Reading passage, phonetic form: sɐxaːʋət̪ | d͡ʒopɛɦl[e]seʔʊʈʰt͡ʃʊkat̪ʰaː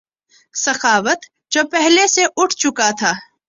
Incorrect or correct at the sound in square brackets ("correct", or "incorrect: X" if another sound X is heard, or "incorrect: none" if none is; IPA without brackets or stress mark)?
correct